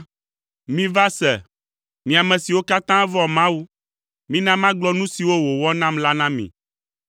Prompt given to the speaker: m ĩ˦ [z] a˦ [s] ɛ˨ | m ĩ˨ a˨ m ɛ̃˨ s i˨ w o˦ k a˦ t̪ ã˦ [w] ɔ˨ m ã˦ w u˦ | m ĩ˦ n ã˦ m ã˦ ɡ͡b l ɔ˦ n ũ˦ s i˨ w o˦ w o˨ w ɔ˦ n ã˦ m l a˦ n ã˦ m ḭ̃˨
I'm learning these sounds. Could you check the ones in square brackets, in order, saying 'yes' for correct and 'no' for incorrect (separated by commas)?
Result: no, yes, no